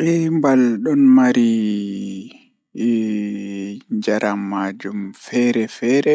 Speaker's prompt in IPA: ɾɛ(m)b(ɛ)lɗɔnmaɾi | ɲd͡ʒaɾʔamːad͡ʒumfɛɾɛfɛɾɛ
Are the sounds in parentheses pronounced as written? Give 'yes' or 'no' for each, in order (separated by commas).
yes, no